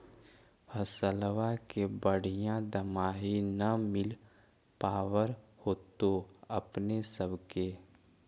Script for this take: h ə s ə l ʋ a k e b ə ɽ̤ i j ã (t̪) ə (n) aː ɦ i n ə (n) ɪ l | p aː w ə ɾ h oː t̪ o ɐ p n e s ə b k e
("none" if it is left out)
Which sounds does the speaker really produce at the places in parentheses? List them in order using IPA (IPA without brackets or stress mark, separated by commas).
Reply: d̪, m, m